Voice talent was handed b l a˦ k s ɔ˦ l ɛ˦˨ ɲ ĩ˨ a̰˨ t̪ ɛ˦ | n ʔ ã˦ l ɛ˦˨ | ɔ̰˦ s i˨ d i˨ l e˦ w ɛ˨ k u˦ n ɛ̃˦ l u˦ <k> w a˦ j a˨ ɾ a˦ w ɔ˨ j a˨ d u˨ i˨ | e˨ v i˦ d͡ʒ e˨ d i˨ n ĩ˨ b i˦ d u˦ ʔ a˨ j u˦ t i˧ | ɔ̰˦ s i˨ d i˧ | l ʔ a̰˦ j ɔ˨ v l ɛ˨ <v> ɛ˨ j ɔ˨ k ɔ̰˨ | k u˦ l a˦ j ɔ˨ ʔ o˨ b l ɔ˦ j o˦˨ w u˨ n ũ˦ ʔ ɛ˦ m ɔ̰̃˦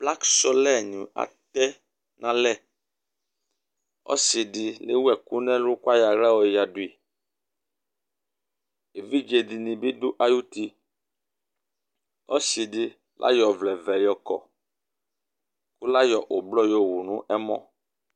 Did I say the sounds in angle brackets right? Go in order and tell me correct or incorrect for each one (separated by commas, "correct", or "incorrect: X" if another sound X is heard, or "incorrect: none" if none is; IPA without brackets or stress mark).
correct, correct